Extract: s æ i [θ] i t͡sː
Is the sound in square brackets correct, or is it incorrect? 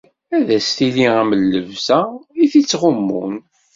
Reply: correct